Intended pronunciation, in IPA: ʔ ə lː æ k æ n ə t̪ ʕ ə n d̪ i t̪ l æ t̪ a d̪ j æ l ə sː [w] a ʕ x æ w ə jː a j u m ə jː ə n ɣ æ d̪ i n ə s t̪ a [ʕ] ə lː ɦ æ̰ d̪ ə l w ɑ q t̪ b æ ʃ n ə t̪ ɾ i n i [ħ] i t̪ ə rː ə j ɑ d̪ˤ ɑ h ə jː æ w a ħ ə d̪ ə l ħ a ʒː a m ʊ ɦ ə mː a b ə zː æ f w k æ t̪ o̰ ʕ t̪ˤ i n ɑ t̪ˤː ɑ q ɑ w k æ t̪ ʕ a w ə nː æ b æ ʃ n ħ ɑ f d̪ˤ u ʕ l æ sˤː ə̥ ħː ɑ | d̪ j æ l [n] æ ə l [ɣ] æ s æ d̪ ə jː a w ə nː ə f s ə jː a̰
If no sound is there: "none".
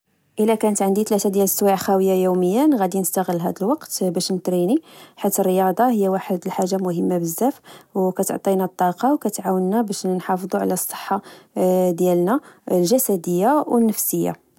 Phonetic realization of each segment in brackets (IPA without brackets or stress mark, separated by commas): w, ɣ, ħ, n, ʒ